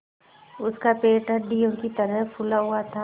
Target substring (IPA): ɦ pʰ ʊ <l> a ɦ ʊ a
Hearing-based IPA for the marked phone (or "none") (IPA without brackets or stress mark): l